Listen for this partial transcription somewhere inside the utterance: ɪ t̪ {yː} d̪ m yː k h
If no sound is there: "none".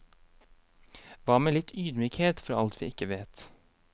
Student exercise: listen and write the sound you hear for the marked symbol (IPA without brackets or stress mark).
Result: yː